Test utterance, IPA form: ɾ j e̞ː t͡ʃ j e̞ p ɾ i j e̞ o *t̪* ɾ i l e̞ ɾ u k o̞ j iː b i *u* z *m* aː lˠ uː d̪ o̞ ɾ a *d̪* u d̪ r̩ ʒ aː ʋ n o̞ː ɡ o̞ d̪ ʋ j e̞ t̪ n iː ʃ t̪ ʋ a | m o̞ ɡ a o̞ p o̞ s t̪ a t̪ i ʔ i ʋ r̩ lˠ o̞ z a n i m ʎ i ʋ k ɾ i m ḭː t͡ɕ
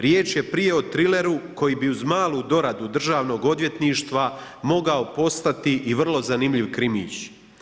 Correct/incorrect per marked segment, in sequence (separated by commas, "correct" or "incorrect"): correct, correct, correct, correct